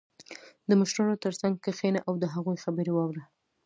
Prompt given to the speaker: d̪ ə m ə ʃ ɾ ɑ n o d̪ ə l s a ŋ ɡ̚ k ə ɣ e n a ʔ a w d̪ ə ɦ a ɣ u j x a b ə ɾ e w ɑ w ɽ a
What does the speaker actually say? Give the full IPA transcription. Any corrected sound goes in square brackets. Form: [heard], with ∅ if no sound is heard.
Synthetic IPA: d̪ ə m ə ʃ ɾ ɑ n o [t̪] ə [ɾ] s a ŋ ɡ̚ k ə [x] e n a ʔ a w d̪ ə ɦ a ɣ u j x a b ə ɾ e w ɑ w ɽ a